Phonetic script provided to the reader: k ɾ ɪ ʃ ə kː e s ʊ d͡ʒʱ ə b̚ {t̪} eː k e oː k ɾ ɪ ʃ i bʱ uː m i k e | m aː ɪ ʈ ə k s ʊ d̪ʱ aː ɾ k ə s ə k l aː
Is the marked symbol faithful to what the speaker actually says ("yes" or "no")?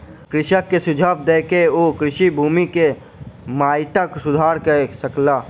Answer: no